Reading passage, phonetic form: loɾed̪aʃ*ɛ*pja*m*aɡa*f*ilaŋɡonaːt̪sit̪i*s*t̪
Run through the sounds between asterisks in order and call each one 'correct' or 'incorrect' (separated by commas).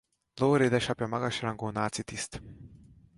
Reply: incorrect, correct, incorrect, correct